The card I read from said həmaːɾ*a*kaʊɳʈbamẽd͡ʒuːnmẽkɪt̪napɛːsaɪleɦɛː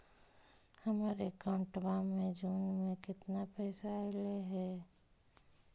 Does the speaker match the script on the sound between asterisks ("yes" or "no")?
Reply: no